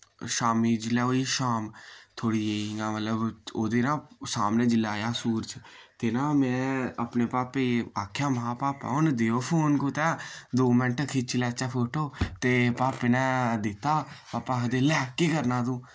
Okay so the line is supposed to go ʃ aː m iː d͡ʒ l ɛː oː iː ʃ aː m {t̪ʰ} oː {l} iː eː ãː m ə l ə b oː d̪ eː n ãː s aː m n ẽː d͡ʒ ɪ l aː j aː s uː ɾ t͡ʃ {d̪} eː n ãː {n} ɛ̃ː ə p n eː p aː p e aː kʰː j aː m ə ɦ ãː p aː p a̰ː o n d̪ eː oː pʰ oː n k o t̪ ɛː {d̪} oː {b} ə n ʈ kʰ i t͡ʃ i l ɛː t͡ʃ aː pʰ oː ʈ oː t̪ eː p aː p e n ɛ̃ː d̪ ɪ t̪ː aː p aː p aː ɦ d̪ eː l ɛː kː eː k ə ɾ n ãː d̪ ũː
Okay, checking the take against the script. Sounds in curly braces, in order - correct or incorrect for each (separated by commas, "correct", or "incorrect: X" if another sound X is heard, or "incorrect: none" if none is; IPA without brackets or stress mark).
correct, incorrect: ɽ, incorrect: t̪, incorrect: m, correct, incorrect: m